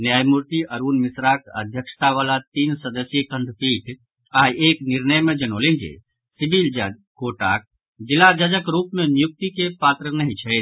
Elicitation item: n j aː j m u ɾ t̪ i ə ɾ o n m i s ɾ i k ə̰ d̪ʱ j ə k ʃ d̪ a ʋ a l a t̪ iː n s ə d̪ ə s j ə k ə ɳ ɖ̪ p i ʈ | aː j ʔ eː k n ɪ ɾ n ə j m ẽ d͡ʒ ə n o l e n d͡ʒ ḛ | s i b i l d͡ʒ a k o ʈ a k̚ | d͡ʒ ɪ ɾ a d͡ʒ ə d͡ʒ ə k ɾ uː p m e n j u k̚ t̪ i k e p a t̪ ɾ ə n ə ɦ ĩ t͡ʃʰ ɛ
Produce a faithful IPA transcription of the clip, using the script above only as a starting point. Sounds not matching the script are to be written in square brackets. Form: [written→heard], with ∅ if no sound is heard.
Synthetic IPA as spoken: n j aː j m u ɾ t̪ i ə ɾ [o→u] n m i s ɾ [i→a] k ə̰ d̪ʱ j ə k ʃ [d̪→t̪] a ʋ a l a t̪ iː n s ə d̪ ə s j ə k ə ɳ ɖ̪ p i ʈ | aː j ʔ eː k n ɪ ɾ n ə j m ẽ d͡ʒ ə n o l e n d͡ʒ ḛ | s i b i l d͡ʒ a k o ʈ a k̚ | d͡ʒ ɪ [ɾ→l] a d͡ʒ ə d͡ʒ ə k ɾ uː p m e n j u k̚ t̪ i k e p a t̪ ɾ ə n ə ɦ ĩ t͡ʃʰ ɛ

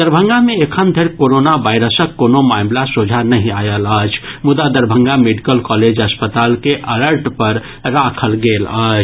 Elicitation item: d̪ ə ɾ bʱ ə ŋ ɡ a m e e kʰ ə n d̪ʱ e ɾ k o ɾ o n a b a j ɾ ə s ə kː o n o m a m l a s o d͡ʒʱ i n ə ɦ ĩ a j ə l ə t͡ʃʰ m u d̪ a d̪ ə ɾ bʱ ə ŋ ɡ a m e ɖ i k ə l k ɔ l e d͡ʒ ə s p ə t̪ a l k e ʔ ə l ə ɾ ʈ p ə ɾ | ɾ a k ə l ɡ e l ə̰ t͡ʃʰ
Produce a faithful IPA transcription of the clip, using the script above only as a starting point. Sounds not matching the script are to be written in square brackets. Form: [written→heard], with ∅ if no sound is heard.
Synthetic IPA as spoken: d̪ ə ɾ bʱ ə ŋ ɡ a m e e kʰ ə n d̪ʱ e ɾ k o ɾ o n a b a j ɾ ə s ə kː o n o m a m l a s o d͡ʒʱ [i→a] n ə ɦ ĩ a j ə l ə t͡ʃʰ m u d̪ a d̪ ə ɾ bʱ ə ŋ ɡ a m e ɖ i k ə l k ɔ l e d͡ʒ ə s p ə t̪ a l k e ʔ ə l ə ɾ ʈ p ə ɾ | ɾ a [k→kʰ] ə l ɡ e l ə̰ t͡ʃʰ

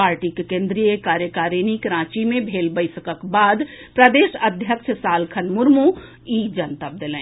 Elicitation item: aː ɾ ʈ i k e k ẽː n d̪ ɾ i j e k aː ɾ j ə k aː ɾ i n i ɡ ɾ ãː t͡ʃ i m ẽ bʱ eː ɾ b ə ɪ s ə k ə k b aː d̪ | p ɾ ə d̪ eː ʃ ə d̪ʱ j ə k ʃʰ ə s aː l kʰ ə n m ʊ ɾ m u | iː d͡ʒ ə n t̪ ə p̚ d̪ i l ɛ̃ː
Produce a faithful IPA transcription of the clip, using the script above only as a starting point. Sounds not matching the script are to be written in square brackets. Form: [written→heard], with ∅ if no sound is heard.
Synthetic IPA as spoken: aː ɾ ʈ i k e k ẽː n d̪ ɾ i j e k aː ɾ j ə k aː ɾ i n i [ɡ→k] ɾ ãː t͡ʃ i m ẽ bʱ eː [ɾ→l] b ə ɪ s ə k ə k b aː d̪ | p ɾ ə d̪ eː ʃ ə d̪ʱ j ə k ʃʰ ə s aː l kʰ ə n m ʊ ɾ m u | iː d͡ʒ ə n t̪ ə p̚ d̪ [i→e] l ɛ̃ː

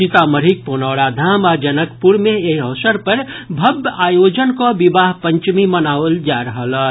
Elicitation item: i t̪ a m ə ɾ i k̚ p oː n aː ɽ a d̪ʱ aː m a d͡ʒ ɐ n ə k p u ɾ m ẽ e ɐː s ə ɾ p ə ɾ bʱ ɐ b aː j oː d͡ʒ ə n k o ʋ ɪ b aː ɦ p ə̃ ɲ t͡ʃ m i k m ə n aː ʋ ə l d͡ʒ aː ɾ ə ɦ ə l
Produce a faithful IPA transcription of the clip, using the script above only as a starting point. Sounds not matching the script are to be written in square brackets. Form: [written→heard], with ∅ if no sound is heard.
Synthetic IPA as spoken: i t̪ a m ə ɾ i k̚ p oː n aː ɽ a d̪ʱ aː m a d͡ʒ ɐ n ə k p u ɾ m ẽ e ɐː s ə ɾ p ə ɾ bʱ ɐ b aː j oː d͡ʒ ə n k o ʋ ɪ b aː ɦ p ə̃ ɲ t͡ʃ m i [k→∅] m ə n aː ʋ ə l d͡ʒ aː ɾ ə ɦ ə l

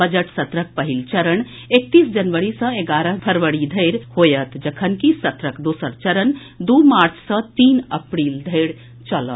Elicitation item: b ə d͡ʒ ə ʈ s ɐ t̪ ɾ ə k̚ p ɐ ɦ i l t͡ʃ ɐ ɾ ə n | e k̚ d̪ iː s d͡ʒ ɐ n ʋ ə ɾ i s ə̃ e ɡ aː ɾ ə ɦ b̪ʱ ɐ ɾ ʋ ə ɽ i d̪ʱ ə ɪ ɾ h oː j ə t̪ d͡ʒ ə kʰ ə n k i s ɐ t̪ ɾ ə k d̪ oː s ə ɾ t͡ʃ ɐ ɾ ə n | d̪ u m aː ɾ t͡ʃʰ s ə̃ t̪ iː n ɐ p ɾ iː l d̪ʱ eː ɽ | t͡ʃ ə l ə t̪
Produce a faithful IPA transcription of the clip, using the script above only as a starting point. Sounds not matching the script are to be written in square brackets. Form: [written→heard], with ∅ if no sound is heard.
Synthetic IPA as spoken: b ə d͡ʒ ə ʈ s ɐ t̪ ɾ ə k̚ p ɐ ɦ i l t͡ʃ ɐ ɾ ə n | e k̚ [d̪→t̪] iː s d͡ʒ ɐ n ʋ ə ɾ i s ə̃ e ɡ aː ɾ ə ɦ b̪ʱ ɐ ɾ ʋ ə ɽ i d̪ʱ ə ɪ ɾ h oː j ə t̪ d͡ʒ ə kʰ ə n k i s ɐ t̪ ɾ ə k d̪ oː s ə ɾ t͡ʃ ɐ ɾ ə n | d̪ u m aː ɾ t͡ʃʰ s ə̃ t̪ iː n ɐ p ɾ iː l d̪ʱ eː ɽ | t͡ʃ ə l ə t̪

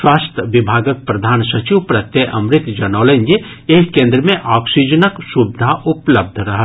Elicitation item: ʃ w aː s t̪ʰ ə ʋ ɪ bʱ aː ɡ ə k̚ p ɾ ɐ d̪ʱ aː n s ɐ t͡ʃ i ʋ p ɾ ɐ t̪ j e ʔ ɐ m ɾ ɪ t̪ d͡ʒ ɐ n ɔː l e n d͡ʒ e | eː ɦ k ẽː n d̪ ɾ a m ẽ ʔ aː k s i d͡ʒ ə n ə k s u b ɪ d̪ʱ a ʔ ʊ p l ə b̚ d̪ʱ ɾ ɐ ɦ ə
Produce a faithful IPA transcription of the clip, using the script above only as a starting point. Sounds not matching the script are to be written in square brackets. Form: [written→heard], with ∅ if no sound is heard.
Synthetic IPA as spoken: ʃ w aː s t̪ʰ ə ʋ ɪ bʱ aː ɡ ə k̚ p ɾ ɐ d̪ʱ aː n s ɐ t͡ʃ i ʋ p ɾ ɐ t̪ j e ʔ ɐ m ɾ ɪ t̪ d͡ʒ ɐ n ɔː l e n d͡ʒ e | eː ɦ k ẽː n d̪ ɾ [a→ə] m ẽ ʔ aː k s i d͡ʒ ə n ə k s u b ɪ d̪ʱ a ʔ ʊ p l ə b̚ d̪ʱ ɾ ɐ ɦ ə

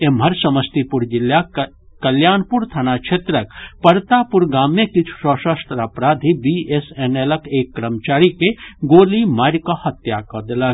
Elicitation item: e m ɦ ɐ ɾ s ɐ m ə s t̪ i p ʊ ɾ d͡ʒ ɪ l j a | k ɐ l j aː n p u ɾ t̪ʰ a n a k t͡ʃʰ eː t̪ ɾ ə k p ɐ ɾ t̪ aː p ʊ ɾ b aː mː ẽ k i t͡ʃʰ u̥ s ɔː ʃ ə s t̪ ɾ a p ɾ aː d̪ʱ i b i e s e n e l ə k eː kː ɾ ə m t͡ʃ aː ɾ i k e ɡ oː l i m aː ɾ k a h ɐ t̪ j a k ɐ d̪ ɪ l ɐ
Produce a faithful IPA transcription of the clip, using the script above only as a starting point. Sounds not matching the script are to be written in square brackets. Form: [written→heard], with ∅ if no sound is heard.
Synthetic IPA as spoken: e m ɦ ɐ ɾ s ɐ m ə s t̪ i p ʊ ɾ d͡ʒ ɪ l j a | k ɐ l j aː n p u ɾ t̪ʰ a n a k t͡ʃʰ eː t̪ ɾ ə k p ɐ ɾ t̪ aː p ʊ ɾ [b→ɡ] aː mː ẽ k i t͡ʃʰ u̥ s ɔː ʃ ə s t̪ ɾ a p ɾ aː d̪ʱ i b i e s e n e l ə k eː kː ɾ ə m t͡ʃ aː ɾ i k e ɡ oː l i m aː ɾ k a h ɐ t̪ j a k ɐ d̪ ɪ l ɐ

